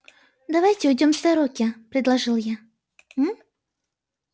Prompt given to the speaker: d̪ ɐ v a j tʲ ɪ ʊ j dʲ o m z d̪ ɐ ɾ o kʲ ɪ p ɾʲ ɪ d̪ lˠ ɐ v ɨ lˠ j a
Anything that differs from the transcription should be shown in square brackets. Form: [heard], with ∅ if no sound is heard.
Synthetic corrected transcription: d̪ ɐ v a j tʲ ɪ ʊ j dʲ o m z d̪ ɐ ɾ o kʲ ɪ p ɾʲ ɪ d̪ lˠ ɐ [ʐ] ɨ lˠ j a